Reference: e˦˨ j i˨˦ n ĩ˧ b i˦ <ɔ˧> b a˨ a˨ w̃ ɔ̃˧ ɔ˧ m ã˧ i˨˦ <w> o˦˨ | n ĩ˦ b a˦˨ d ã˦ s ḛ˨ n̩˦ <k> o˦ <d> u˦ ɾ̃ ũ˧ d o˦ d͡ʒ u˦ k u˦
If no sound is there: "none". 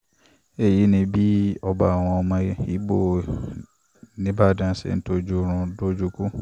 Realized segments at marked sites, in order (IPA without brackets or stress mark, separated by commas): ɔ˧, b, t, d͡ʒ